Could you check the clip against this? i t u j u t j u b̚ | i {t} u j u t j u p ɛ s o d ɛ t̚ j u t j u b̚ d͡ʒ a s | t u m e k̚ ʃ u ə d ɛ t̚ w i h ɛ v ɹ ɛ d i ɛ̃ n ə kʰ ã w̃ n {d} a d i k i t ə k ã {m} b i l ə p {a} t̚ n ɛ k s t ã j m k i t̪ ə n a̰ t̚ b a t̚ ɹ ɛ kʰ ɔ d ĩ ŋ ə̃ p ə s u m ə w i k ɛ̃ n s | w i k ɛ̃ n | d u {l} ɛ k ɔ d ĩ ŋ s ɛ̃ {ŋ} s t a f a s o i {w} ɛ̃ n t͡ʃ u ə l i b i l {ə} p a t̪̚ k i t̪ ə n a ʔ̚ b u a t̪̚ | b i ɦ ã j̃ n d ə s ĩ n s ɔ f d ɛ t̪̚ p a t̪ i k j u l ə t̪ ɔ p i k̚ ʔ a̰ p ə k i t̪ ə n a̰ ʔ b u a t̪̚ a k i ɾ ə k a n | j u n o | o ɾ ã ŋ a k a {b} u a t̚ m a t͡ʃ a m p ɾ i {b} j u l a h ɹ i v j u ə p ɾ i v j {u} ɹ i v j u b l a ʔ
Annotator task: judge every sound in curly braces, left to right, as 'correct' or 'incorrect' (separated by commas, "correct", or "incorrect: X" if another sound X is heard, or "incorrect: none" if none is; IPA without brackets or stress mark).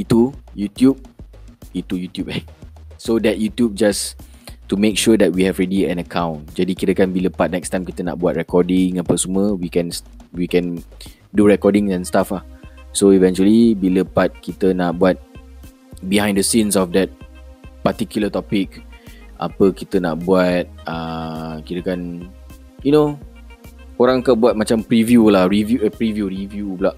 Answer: correct, incorrect: d͡ʒ, incorrect: n, correct, incorrect: ɹ, incorrect: n, incorrect: v, correct, correct, incorrect: v, correct